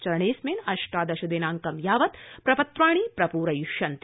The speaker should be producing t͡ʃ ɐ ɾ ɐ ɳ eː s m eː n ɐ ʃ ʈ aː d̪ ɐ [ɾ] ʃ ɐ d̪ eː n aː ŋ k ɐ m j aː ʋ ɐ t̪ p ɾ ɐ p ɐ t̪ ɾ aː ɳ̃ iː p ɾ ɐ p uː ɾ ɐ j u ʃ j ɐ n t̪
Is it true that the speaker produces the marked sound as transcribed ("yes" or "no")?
no